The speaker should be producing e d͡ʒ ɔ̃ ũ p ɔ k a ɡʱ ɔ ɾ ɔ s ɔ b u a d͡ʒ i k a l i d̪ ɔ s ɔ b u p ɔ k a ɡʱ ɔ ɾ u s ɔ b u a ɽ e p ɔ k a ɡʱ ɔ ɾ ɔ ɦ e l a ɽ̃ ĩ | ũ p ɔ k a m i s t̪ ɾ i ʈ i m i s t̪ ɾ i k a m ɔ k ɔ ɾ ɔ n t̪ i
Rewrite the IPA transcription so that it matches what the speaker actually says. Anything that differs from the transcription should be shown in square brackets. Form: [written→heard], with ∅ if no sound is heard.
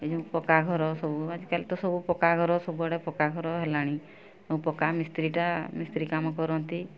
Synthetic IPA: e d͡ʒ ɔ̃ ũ p ɔ k a ɡʱ ɔ ɾ ɔ s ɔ b u a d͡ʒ i k a l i [d̪→t̪] ɔ s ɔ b u p ɔ k a ɡʱ ɔ ɾ [u→ɔ] s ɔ b u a ɽ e p ɔ k a ɡʱ ɔ ɾ ɔ ɦ e l a ɽ̃ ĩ | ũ p ɔ k a m i s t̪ ɾ i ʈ [i→a] m i s t̪ ɾ i k a m ɔ k ɔ ɾ ɔ n t̪ i